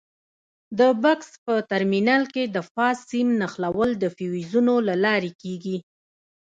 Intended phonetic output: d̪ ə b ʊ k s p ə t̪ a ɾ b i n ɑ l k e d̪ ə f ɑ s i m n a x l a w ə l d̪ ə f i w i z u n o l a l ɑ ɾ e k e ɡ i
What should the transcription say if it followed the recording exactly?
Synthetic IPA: d̪ ə b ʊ k s p ə t̪ a ɾ m i n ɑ l k e d̪ ə f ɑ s i m n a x l a w ə l d̪ ə f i w i z u n o l a l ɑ ɾ e k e ɡ i